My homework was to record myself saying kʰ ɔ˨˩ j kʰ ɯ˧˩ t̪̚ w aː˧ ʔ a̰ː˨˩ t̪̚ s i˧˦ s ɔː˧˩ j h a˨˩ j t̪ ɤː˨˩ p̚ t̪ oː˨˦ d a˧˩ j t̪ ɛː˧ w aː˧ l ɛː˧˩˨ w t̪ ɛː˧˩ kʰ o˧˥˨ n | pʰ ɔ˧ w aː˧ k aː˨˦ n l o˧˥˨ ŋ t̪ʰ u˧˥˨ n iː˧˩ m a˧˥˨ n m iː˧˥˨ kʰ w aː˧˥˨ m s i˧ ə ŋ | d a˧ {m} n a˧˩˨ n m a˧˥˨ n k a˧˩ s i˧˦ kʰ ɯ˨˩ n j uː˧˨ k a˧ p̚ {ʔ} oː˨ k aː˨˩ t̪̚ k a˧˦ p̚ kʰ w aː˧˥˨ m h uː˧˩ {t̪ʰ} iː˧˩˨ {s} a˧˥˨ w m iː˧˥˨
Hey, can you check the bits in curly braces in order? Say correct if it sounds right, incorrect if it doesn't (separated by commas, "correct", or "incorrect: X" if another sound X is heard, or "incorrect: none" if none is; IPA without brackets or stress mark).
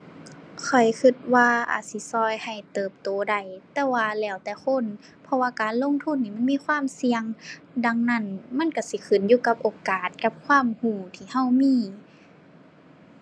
incorrect: ŋ, correct, correct, incorrect: h